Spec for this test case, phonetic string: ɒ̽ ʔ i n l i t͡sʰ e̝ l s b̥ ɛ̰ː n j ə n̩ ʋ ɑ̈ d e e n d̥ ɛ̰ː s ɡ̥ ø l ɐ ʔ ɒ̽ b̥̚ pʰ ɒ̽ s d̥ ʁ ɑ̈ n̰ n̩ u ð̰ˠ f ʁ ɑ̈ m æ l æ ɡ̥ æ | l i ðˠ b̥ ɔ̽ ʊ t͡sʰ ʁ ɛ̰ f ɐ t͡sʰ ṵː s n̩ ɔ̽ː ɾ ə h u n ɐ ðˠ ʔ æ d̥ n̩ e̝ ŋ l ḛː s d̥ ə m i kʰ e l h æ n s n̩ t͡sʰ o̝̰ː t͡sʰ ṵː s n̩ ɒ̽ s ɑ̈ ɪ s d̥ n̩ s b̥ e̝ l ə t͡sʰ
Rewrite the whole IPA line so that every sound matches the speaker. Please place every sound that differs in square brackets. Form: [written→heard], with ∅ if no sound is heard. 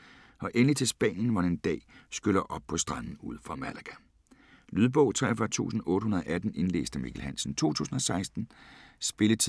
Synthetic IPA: ɒ̽ ʔ [i→e] n l i t͡sʰ e̝ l s b̥ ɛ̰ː n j ə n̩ ʋ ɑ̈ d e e n d̥ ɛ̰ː s ɡ̥ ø l ɐ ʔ ɒ̽ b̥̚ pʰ ɒ̽ s d̥ ʁ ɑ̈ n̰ n̩ u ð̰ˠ f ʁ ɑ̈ m æ l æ ɡ̥ æ | l [i→y] ðˠ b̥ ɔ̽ ʊ t͡sʰ ʁ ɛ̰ f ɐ t͡sʰ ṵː s n̩ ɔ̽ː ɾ ə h u n ɐ ðˠ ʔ æ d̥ n̩ e̝ [ŋ→n] l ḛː s d̥ ə m i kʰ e l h æ n s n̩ t͡sʰ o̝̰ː t͡sʰ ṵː s n̩ ɒ̽ s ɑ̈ ɪ s d̥ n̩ s b̥ e̝ l ə t͡sʰ